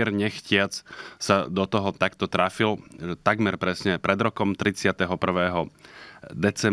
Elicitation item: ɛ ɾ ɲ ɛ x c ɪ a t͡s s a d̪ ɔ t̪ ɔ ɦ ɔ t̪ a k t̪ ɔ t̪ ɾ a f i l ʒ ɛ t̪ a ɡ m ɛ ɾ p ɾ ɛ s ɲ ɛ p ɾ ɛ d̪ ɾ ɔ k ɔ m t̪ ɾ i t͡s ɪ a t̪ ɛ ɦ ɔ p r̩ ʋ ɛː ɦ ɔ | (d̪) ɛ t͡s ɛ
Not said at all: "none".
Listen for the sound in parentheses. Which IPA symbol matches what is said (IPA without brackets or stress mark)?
d̪